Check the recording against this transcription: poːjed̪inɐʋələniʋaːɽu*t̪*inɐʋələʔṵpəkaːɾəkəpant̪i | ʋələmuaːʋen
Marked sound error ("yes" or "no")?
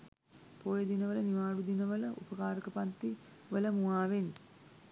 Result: yes